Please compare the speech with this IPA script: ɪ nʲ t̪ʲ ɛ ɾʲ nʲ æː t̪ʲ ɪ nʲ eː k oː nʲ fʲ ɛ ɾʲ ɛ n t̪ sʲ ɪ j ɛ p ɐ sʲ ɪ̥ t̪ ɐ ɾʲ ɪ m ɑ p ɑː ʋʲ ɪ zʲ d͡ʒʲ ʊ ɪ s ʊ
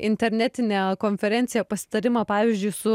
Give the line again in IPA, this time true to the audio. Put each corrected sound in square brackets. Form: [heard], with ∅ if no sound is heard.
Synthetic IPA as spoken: ɪ nʲ t̪ʲ ɛ ɾʲ nʲ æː t̪ʲ ɪ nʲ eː k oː nʲ fʲ ɛ ɾʲ ɛ n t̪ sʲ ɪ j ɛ p ɐ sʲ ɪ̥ t̪ ɐ ɾʲ ɪ m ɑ p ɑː ʋʲ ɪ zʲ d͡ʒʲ ʊ ɪ s ʊ